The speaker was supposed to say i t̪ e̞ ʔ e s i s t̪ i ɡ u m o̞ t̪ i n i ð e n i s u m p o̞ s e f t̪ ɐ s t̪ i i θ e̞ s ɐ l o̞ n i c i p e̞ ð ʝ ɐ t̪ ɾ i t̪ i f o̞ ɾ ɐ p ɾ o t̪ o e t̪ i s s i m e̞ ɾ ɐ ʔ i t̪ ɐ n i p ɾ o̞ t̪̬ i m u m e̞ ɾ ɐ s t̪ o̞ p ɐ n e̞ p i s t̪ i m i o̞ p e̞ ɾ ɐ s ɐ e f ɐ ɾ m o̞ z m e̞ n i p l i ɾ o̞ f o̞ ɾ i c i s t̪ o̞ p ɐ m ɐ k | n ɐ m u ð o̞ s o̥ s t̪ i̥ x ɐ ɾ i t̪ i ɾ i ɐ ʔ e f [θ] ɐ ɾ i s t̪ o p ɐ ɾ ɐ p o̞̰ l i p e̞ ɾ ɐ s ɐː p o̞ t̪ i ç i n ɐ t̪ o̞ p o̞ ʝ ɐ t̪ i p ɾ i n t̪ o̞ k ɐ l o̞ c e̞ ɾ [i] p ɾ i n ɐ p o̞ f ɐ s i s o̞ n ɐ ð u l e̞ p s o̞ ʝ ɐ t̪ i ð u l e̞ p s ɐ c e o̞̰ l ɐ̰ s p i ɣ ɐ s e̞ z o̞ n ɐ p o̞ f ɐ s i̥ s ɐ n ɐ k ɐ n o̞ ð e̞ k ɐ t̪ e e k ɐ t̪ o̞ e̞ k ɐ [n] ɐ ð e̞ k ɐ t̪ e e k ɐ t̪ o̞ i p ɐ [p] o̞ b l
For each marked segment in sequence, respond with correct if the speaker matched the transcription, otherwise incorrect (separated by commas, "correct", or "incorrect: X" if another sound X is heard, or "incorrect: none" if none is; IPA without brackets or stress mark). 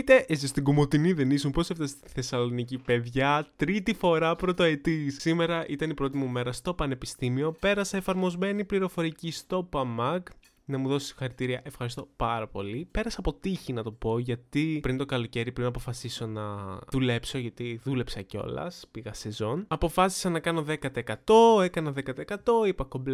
incorrect: x, correct, correct, incorrect: k